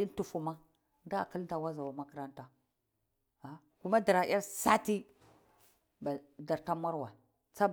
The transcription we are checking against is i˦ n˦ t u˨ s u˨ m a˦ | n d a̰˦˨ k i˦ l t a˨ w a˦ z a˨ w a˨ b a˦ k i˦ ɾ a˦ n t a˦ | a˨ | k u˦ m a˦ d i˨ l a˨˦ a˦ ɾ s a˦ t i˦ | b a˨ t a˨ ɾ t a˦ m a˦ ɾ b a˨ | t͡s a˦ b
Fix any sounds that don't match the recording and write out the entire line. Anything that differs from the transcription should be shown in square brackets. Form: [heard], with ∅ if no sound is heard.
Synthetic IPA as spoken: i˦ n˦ t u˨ [f] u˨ m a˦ | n d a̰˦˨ k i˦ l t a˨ w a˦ z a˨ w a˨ [m] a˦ k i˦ ɾ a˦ n t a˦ | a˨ | k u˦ m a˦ d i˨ [ɾ] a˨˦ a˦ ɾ s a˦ t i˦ | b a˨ [d] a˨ ɾ t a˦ m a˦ ɾ [w] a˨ | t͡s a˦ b

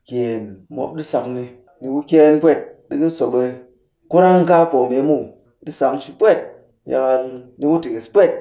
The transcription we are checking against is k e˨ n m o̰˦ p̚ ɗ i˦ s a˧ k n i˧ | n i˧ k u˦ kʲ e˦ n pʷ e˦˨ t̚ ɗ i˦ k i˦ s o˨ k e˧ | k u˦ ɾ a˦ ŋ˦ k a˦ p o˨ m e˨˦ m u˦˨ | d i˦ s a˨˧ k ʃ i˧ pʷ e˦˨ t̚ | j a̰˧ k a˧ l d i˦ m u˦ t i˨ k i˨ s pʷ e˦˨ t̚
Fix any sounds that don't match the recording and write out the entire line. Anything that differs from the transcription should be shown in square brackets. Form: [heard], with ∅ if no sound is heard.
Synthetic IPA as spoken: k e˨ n m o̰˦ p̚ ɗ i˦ s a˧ k n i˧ | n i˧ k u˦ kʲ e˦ n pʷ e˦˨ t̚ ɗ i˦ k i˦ s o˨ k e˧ | k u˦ ɾ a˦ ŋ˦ k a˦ p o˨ m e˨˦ m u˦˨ | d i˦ s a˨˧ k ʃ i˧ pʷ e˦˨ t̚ | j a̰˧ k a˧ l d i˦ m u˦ t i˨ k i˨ s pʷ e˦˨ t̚

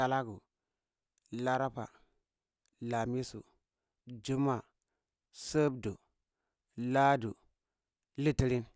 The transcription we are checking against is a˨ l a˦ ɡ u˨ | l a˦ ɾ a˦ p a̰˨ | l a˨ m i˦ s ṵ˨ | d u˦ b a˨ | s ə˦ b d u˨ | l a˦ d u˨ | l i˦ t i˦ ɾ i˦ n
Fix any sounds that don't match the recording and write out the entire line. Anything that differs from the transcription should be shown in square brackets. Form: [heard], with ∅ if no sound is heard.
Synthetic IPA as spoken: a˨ l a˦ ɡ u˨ | l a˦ ɾ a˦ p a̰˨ | l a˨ m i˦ s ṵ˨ | [d͡ʒ] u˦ [m] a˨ | s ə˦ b d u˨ | l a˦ d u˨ | l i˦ t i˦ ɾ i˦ n

